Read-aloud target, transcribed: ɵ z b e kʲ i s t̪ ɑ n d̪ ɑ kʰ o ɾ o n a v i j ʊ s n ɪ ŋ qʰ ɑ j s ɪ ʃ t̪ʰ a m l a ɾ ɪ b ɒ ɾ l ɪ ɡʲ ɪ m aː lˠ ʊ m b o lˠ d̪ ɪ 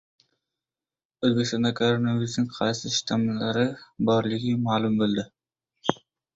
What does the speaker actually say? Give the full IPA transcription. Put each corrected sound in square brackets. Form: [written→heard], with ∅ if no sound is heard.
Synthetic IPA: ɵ z b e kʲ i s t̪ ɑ n d̪ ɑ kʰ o ɾ o n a v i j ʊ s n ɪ ŋ qʰ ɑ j s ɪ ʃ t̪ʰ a m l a ɾ ɪ b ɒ ɾ l ɪ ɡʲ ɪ m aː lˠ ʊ m b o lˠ d̪ ɪ

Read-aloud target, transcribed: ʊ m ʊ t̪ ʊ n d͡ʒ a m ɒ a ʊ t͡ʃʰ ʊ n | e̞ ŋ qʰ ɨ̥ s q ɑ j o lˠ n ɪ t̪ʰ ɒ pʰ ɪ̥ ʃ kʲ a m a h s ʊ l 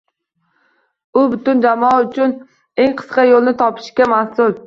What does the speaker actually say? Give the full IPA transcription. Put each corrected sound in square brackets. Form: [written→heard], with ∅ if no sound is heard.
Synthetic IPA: ʊ [m→b] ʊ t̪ ʊ n d͡ʒ a m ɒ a ʊ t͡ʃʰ ʊ n | e̞ ŋ qʰ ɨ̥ s q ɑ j o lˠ n ɪ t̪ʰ ɒ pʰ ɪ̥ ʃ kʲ a m a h s ʊ l

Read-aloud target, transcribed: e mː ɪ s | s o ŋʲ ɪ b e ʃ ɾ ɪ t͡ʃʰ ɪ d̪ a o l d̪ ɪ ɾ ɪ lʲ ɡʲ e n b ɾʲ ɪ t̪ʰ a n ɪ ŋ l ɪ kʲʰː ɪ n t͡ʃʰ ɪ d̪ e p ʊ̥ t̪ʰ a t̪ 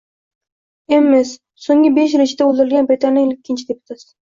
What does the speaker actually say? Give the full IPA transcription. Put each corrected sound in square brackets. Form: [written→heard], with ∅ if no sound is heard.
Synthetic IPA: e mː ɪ s | s o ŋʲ ɪ b e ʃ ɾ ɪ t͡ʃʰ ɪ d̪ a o l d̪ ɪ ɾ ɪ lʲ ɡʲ [e→a] n b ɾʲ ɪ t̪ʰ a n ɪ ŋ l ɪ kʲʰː ɪ n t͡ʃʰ ɪ d̪ e p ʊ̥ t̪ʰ a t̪

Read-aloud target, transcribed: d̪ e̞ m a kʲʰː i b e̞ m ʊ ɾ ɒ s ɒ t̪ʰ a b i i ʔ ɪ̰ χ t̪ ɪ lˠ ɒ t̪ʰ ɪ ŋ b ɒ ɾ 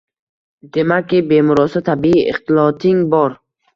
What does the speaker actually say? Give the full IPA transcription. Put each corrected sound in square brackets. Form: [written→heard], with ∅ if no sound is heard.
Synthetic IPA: d̪ e̞ m a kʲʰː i b e̞ m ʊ ɾ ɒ s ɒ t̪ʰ a b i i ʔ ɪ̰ χ t̪ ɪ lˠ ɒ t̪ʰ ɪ ŋ b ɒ ɾ

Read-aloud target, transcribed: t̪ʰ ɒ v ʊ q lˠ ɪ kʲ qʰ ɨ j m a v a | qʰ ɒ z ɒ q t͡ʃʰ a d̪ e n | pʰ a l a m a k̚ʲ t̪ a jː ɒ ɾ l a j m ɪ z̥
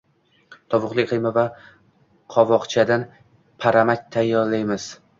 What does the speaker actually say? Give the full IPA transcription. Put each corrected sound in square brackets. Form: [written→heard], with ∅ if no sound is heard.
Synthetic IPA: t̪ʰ ɒ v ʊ q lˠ ɪ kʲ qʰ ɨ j m a v a | qʰ ɒ [z→v] ɒ q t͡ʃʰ a d̪ [e→a] n | pʰ a [l→ɾ] a m a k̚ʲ [t̪→t̪ʰ] a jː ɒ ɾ l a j m ɪ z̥

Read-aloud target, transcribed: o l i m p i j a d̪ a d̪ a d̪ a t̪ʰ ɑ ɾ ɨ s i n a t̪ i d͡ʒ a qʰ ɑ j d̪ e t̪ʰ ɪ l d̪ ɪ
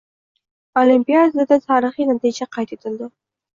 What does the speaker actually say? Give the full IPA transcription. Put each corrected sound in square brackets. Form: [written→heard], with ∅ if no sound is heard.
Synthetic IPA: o l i m p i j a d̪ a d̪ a d̪ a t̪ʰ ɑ ɾ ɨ [s→χ] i n a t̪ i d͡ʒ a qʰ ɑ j [d̪→t̪] e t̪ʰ ɪ l d̪ ɪ

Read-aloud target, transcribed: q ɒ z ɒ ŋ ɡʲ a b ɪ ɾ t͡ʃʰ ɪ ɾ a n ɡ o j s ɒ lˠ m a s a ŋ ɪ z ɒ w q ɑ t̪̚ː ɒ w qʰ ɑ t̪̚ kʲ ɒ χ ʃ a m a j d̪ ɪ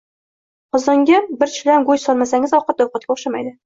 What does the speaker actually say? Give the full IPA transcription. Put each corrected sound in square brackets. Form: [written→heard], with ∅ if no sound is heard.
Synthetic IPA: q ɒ z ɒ ŋ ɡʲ a b ɪ ɾ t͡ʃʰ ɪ [ɾ→l] a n ɡ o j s ɒ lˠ m a s a ŋ ɪ z ɒ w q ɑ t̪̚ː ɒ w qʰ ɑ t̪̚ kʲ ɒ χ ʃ a m a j d̪ ɪ

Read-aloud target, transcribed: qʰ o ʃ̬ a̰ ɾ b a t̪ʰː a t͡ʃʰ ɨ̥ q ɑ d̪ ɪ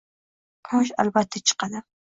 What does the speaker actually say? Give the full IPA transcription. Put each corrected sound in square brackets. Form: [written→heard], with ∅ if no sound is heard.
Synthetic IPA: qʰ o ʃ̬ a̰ [ɾ→l] b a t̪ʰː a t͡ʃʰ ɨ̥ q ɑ d̪ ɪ

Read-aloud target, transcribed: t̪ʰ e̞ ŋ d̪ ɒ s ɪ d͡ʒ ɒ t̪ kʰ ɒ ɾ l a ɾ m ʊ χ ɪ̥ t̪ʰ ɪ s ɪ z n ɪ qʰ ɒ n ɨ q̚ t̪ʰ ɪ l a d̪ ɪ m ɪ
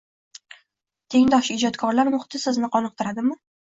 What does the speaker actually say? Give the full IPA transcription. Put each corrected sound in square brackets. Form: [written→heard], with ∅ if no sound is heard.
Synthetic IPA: t̪ʰ e̞ ŋ d̪ ɒ [s→ʃ] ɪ d͡ʒ ɒ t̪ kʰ ɒ ɾ l a ɾ m ʊ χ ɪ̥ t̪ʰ ɪ s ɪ z n ɪ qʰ ɒ n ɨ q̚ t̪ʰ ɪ [l→ɾ] a d̪ ɪ m ɪ

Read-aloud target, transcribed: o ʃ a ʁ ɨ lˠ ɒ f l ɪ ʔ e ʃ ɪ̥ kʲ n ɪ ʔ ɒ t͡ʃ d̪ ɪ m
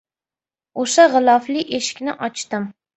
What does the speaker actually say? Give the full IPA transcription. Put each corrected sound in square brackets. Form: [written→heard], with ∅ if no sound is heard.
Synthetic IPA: o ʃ a ʁ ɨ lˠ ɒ f l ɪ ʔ e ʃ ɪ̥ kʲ n ɪ ʔ ɒ t͡ʃ [d̪→t̪] ɪ m

